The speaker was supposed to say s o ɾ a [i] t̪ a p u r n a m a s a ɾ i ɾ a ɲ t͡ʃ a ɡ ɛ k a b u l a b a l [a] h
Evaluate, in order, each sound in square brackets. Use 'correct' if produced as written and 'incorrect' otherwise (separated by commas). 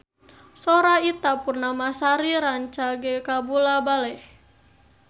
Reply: correct, incorrect